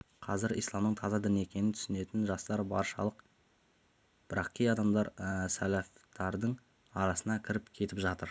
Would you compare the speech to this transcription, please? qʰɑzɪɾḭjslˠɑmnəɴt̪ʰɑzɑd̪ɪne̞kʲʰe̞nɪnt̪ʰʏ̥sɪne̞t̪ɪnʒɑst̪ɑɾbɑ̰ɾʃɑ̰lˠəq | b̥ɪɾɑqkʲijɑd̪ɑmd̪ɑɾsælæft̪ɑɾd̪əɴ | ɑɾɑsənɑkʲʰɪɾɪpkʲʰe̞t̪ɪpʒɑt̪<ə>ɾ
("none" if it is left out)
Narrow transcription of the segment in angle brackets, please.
ə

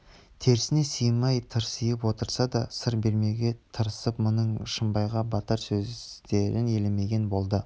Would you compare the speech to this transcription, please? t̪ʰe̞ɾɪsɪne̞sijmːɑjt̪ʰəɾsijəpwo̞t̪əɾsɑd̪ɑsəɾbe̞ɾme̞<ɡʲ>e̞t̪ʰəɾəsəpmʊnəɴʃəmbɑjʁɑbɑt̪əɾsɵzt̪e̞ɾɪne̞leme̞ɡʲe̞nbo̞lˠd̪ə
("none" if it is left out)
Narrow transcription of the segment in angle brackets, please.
ɡʲ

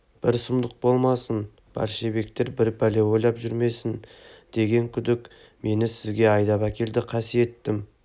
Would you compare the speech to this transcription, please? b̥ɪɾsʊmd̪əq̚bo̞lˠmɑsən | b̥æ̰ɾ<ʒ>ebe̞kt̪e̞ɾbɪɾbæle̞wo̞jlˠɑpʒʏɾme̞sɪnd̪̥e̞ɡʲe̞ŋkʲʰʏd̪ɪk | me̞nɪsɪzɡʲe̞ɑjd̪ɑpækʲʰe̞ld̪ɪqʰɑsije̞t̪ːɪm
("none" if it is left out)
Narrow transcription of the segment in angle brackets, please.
ʃ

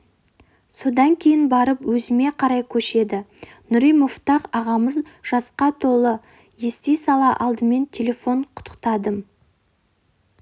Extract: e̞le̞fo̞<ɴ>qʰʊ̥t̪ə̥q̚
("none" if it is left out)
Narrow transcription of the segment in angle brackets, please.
ɴ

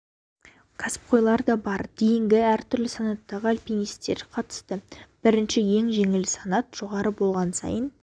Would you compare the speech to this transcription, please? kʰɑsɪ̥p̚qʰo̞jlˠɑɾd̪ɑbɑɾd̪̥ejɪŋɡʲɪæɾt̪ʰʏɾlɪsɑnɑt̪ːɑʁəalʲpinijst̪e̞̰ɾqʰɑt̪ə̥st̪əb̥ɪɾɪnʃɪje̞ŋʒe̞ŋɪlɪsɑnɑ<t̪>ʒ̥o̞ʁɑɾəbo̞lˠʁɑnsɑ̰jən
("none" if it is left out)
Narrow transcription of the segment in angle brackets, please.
t̪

